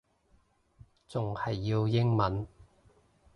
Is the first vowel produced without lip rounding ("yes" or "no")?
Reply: no